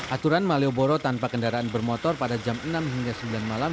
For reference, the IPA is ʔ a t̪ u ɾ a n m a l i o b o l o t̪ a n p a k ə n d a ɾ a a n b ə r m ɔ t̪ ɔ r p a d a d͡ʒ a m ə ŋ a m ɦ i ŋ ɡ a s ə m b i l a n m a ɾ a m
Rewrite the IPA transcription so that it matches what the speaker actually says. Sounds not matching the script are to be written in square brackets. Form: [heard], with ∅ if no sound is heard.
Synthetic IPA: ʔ a t̪ u ɾ a n m a l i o b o [ɾ] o t̪ a n p a k ə n d a ɾ a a n b ə r m ɔ t̪ ɔ r p a d a d͡ʒ a m ə [n] a m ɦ i ŋ ɡ a s ə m b i l a n m a [l] a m